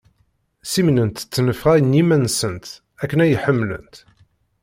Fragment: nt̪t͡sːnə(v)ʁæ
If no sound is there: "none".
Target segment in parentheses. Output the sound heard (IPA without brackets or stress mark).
f